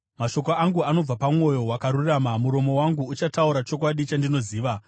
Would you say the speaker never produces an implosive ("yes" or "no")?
no